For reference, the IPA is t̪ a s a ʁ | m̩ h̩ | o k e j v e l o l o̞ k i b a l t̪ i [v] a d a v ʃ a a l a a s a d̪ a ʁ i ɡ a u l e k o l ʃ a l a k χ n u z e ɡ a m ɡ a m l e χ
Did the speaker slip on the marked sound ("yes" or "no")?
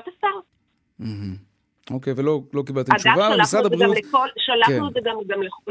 yes